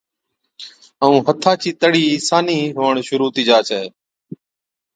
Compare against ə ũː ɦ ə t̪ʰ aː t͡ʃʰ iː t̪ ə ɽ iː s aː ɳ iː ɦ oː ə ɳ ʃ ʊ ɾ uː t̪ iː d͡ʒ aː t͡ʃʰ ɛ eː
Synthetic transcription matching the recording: ə ũː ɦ ə t̪ʰ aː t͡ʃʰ iː t̪ ə ɽ iː s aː n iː ɦ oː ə ɳ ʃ ʊ ɾ uː t̪ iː d͡ʒ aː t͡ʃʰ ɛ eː